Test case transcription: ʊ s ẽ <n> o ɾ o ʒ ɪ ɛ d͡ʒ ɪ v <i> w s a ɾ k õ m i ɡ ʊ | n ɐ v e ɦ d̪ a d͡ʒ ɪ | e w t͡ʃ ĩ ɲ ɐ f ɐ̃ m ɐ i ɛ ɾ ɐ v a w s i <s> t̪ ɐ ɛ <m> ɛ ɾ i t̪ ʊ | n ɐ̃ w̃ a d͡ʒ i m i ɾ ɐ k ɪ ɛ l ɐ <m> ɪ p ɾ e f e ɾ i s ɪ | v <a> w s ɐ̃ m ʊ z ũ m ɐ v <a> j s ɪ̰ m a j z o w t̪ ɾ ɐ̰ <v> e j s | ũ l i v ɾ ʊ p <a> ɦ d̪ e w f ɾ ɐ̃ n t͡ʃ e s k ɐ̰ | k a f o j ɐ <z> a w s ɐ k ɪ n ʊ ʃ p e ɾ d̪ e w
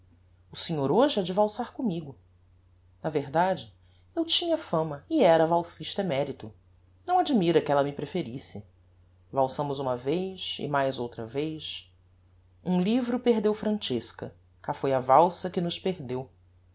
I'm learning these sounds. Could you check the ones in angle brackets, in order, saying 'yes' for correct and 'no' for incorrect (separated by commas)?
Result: no, no, no, yes, yes, yes, no, yes, no, no